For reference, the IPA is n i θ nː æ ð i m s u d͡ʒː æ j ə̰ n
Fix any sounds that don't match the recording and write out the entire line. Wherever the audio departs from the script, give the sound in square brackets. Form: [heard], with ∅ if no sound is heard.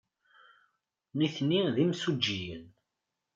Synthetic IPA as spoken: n i θ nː [i] ð i m s u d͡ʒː [i] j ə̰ n